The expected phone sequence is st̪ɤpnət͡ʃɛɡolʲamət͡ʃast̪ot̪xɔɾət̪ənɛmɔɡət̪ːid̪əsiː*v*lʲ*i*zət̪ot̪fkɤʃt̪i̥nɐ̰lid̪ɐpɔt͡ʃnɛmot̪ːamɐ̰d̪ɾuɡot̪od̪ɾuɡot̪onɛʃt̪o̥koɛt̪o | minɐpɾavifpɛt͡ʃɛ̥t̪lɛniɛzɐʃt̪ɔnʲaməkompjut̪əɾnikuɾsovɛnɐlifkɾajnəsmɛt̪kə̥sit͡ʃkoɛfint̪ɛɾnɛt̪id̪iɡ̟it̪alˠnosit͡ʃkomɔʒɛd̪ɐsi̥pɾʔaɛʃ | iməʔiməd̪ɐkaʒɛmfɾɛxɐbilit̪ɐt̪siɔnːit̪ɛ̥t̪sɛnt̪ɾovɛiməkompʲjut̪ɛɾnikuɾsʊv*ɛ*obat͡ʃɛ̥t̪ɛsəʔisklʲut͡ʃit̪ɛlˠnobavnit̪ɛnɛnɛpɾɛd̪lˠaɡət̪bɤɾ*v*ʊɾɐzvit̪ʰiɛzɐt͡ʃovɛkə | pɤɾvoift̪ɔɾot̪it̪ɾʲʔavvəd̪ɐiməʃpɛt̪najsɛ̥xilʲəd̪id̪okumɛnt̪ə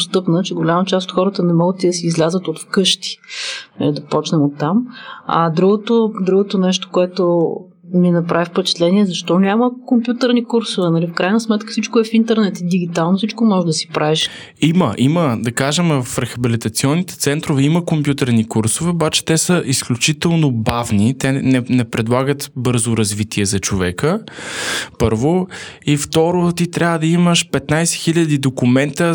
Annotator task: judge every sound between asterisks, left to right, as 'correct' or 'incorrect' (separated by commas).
incorrect, incorrect, correct, incorrect